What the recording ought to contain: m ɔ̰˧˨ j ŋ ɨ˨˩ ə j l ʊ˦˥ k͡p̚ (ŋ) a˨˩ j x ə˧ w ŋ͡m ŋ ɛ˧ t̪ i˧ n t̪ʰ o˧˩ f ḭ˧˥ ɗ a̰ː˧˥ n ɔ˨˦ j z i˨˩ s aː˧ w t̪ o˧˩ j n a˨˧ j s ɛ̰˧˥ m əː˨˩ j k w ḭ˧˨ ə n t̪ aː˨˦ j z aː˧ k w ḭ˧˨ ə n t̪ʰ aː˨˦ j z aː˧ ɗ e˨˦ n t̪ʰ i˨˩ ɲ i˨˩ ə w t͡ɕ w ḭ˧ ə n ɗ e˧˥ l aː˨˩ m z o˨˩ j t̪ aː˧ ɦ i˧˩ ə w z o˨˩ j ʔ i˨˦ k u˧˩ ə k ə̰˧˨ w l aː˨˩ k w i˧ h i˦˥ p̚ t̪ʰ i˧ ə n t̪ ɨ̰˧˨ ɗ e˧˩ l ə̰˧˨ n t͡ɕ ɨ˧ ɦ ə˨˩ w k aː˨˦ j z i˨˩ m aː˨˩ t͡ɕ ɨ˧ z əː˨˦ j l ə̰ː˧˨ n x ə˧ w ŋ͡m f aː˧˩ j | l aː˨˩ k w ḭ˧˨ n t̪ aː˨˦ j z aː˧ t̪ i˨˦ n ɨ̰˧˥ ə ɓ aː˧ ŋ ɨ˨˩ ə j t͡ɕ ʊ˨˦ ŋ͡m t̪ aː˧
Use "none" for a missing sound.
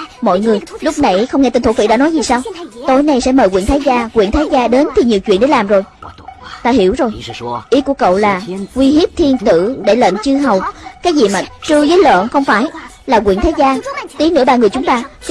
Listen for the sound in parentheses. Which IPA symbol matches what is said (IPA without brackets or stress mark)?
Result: n